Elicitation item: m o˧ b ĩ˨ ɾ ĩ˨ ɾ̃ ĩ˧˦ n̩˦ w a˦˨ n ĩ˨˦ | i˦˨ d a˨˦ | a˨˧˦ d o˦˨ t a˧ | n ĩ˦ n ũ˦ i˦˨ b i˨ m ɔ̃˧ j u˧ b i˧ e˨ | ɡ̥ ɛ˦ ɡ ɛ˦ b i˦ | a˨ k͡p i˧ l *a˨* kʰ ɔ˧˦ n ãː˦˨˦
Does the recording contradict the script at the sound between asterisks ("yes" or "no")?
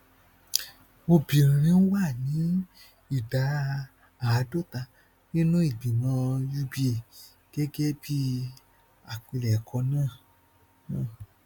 yes